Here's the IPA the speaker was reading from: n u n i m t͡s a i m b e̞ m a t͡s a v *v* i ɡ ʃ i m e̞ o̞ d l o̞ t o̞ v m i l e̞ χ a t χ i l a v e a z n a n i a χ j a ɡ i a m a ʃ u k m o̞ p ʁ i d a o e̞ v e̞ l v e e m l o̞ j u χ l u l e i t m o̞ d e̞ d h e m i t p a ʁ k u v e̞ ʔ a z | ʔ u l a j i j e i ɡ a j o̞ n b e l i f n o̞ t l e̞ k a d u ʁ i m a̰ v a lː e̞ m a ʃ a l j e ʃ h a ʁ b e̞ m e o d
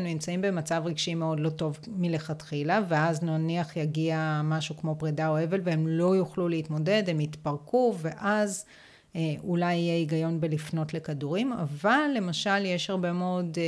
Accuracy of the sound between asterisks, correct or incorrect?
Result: incorrect